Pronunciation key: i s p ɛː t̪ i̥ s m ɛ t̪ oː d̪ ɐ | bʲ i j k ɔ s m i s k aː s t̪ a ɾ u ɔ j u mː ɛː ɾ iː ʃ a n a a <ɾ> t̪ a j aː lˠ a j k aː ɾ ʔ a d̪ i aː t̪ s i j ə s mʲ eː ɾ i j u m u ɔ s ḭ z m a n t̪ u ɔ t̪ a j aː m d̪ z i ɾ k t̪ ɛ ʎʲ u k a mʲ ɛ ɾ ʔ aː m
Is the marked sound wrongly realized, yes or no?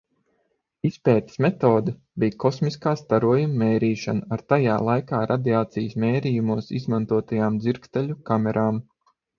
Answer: no